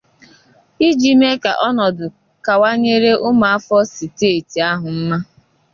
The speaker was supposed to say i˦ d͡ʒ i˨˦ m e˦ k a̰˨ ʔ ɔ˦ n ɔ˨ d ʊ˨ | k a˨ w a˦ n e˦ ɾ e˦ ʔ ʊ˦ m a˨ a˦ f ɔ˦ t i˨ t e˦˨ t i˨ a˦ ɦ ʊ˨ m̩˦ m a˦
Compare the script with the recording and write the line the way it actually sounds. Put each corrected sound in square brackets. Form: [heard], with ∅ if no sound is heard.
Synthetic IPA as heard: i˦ d͡ʒ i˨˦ m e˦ k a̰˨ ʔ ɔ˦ n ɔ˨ d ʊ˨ | k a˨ w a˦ [ɲ] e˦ ɾ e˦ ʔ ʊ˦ m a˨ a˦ f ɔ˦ [s] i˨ t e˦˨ t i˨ a˦ ɦ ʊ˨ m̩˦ m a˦